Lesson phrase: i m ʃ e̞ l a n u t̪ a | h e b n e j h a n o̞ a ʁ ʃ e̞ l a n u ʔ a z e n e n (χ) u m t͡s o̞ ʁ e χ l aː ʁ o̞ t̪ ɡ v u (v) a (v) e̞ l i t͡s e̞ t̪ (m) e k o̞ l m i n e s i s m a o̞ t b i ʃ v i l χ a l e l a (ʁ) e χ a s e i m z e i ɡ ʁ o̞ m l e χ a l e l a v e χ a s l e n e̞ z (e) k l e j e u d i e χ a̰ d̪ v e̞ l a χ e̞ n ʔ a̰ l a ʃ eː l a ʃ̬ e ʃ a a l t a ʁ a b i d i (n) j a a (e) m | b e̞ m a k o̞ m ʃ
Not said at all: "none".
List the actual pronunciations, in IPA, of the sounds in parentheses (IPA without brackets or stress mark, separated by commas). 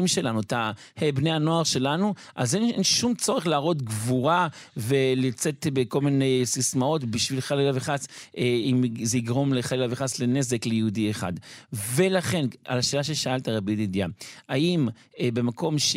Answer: ʃ, ʁ, v, b, v, e, d, i